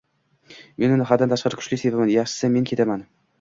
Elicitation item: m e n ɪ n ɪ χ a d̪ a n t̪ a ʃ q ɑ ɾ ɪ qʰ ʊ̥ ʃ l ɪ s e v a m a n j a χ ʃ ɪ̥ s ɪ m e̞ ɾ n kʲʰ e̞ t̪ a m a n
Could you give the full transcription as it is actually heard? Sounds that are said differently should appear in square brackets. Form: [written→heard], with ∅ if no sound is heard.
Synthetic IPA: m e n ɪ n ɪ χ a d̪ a n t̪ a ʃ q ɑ ɾ ɪ [qʰ→kʰ] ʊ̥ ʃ l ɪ s e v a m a n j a χ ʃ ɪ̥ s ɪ m e̞ [ɾ→∅] n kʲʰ e̞ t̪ a m a n